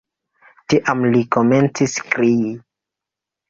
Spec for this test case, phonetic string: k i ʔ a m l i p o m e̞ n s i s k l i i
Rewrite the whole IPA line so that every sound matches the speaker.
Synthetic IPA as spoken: t i ʔ a m l i k o m e̞ n t͡s i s k ɾ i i